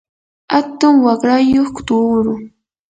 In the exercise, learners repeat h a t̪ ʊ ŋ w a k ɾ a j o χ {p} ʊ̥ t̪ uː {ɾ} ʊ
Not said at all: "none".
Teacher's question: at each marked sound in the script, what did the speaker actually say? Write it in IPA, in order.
k, ɾ

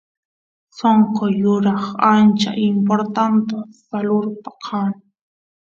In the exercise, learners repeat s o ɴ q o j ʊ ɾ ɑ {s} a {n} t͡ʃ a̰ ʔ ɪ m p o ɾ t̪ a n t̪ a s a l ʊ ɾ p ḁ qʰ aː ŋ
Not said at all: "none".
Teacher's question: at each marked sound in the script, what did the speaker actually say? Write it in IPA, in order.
χ, n

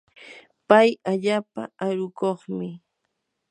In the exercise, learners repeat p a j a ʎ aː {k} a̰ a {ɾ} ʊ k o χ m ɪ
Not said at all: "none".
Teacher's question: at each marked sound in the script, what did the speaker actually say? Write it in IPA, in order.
p, ɾ

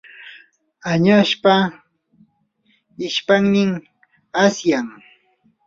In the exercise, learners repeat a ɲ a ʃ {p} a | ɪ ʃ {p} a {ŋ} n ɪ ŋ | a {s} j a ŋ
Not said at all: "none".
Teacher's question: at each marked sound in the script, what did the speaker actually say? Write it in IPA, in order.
p, p, ŋ, s

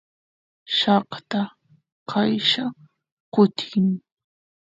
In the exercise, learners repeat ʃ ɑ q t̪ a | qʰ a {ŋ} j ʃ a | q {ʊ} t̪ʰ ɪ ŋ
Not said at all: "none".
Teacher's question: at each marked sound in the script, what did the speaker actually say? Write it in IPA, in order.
none, ʊ

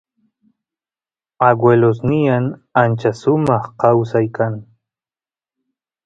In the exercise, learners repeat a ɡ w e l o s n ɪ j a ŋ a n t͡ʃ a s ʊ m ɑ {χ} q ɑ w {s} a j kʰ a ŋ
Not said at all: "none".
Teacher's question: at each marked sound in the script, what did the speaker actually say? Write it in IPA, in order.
χ, s

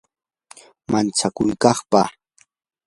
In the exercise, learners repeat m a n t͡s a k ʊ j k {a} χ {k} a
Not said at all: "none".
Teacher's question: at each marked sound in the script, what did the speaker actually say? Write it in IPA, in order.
ɑ, p

